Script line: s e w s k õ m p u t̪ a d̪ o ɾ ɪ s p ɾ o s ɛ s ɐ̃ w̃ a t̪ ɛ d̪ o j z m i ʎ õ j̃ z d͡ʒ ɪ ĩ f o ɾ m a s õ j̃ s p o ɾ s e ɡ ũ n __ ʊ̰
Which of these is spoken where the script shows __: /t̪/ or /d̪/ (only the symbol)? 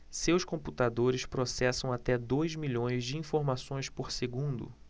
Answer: d̪